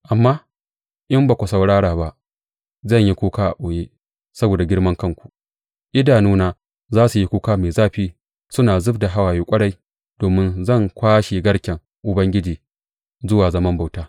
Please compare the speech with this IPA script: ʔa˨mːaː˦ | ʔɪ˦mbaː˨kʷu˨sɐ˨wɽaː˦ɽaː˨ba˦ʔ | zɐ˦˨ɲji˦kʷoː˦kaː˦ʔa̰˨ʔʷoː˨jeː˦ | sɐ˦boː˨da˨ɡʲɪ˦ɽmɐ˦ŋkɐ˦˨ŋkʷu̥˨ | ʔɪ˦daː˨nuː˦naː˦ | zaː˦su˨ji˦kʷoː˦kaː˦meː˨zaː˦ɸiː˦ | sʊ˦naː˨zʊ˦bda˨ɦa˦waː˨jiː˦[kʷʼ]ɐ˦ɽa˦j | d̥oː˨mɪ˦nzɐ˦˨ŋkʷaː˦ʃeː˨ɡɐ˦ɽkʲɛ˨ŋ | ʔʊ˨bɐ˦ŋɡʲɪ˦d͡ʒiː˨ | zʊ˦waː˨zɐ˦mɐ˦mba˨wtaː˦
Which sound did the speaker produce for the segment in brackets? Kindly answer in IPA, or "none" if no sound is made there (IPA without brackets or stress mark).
kʷʼ